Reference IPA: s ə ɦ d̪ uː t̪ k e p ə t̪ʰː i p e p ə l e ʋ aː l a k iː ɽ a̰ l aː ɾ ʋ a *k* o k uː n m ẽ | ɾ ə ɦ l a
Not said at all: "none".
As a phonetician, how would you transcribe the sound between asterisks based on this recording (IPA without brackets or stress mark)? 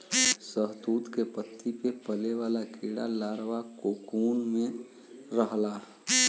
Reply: k